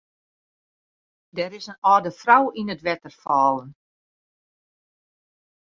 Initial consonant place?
alveolar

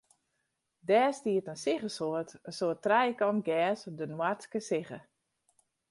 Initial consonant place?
alveolar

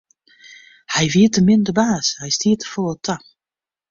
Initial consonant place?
glottal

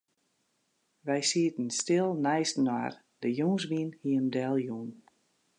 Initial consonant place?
labial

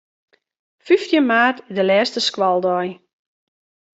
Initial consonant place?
labial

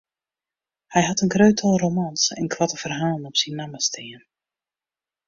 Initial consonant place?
glottal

